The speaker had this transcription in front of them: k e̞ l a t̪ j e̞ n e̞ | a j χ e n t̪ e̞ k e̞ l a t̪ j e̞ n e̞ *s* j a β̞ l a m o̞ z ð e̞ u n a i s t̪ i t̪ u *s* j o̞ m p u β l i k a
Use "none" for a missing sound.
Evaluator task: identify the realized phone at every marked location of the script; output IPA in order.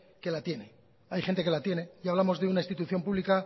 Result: none, θ

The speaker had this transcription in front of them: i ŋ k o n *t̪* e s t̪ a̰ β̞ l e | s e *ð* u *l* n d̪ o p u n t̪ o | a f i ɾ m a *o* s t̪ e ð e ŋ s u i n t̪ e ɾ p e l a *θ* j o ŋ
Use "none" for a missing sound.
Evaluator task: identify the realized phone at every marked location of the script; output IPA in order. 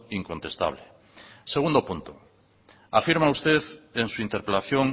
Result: t̪, ɣ, none, u, θ

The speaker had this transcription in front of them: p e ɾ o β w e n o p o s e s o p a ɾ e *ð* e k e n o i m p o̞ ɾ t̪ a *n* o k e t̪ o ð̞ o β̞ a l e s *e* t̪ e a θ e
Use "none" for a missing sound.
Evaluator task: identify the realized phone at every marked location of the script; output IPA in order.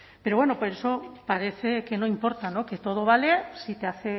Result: θ, n, i

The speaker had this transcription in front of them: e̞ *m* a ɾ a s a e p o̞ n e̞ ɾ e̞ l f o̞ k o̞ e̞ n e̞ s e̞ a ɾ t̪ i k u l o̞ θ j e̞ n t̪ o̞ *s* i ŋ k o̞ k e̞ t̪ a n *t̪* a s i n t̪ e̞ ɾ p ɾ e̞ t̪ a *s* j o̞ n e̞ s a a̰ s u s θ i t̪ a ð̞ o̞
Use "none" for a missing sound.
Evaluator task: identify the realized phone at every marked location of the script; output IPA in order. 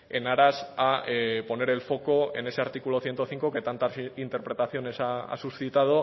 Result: n, θ, t̪, θ

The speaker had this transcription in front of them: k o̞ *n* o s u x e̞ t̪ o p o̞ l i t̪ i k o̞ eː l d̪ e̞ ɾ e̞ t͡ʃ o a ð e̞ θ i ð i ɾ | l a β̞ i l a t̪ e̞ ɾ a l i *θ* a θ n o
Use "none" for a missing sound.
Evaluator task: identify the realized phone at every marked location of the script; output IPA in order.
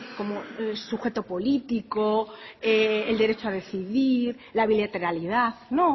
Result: m, ð

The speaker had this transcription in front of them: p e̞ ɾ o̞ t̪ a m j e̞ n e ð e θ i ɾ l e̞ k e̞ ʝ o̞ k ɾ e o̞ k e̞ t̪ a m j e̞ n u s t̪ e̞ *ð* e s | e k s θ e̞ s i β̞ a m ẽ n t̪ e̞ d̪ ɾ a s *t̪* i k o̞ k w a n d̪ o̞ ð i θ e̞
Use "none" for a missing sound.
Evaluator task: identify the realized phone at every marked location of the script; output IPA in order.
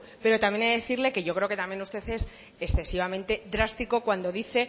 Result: θ, t̪

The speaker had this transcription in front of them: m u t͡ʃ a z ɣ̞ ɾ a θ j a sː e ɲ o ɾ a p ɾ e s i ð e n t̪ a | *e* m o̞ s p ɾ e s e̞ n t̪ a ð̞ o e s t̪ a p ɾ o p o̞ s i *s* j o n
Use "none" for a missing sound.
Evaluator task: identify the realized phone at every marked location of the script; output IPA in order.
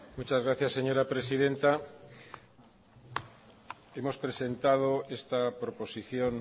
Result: e, θ

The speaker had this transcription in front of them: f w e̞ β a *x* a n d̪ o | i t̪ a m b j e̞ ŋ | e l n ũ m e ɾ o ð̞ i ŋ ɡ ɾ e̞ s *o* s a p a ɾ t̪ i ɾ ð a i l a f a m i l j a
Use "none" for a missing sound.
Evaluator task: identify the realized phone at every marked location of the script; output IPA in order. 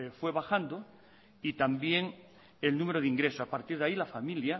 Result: x, o

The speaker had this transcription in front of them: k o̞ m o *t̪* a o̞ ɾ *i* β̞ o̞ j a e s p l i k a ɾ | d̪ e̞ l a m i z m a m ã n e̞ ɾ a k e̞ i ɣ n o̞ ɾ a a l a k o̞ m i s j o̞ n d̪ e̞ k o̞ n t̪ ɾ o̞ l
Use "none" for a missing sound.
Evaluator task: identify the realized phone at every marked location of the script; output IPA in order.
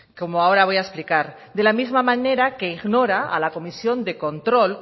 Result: none, a

